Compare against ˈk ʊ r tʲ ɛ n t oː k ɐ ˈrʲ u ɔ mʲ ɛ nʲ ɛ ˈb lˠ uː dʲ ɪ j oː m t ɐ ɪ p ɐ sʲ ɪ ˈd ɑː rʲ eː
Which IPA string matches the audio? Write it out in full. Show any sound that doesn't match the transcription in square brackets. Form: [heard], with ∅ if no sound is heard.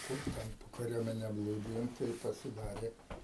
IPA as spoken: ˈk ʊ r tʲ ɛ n [p] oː k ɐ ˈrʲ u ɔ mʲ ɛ nʲ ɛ ˈb lˠ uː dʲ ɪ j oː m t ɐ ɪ p ɐ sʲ ɪ ˈd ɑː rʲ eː

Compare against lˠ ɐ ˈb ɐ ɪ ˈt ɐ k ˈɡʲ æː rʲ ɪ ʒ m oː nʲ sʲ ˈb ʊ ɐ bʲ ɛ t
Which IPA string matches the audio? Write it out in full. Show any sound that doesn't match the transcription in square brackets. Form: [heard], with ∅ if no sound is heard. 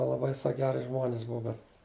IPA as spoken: lˠ ɐ ˈb ɐ ɪ [ˈs] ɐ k ˈɡʲ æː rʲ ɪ ʒ m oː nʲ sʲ ˈb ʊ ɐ bʲ ɛ t

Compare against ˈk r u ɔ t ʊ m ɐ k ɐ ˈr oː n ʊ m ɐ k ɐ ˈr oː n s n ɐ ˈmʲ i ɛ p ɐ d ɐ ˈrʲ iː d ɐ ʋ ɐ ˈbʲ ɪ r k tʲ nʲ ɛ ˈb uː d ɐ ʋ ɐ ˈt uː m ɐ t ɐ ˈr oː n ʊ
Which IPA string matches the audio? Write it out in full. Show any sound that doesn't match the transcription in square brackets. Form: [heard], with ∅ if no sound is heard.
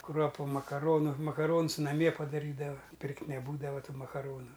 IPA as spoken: ˈk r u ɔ [p] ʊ m ɐ k ɐ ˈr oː n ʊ m ɐ k ɐ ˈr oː n s n ɐ ˈmʲ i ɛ p ɐ d ɐ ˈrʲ iː d ɐ ʋ ɐ [ˈpʲ] ɪ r k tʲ nʲ ɛ ˈb uː d ɐ ʋ ɐ ˈt uː m ɐ [k] ɐ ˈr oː n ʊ

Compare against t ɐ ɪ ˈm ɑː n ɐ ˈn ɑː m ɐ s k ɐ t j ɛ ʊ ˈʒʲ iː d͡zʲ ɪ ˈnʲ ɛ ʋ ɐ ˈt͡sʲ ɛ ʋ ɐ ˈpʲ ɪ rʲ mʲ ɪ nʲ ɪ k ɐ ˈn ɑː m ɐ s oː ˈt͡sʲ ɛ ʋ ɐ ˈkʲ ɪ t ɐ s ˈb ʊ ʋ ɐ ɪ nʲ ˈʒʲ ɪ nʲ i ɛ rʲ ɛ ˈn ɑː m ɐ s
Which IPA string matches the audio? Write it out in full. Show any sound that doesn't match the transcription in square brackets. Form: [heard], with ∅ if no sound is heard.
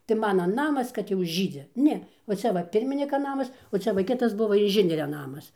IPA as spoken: t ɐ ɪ ˈm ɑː n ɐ ˈn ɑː m ɐ s k ɐ t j ɛ ʊ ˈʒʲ iː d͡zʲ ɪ ˈnʲ ɛ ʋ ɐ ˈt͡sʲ ɛ ʋ ɐ ˈpʲ ɪ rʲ mʲ ɪ nʲ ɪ k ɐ ˈn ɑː m ɐ s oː ˈt͡sʲ ɛ ʋ ɐ ˈkʲ ɪ t ɐ s ˈb ʊ ʋ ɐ ɪ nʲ ˈʒʲ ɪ nʲ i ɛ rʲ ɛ ˈn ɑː m ɐ s

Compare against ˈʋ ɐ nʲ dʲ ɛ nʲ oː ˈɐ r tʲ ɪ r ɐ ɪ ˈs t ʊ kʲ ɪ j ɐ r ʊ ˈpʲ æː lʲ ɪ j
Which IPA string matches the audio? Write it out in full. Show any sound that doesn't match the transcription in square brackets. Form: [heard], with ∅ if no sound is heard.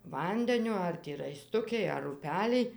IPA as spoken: ˈʋ ɐ nʲ dʲ ɛ nʲ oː ˈɐ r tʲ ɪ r ɐ ɪ ˈs t ʊ kʲ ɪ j ɐ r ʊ ˈpʲ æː lʲ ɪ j

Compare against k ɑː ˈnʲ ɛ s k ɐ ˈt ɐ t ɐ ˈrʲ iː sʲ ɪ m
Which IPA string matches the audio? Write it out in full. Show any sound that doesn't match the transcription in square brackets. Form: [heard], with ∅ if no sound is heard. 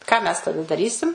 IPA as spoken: k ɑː [ˈmʲ] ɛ s [t] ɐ [ˈd] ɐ [d] ɐ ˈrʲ iː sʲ ɪ m

